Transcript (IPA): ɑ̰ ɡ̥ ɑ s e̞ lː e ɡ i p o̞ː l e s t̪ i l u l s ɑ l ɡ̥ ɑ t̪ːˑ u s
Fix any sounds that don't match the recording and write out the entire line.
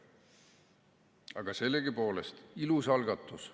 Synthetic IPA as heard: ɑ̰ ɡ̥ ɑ s e̞ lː e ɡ i p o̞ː l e s t̪ i l u s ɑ l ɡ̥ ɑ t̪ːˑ u s